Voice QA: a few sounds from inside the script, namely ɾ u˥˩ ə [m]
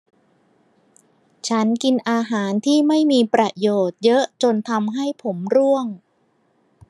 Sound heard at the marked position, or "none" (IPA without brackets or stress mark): ŋ